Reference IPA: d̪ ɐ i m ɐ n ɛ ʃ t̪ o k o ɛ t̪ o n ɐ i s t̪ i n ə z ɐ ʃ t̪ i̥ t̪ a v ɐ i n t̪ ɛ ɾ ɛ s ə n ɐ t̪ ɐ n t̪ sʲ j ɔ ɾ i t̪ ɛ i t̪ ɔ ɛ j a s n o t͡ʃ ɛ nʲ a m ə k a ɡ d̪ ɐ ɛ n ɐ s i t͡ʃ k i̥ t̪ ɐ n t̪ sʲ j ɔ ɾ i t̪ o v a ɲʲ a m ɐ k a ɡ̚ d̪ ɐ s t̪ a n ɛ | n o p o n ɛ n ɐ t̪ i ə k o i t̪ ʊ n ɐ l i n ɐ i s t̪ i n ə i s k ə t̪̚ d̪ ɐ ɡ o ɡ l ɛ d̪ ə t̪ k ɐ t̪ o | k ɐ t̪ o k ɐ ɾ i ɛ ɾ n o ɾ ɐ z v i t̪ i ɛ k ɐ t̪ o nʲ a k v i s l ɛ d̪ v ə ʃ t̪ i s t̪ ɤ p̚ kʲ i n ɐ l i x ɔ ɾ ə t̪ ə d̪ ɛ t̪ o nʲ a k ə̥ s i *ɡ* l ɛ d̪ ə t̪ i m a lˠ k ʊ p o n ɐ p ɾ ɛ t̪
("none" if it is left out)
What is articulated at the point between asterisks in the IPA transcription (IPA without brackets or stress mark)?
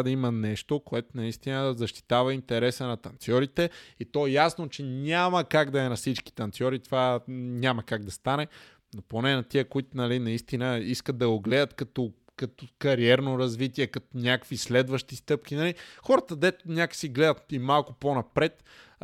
ɡ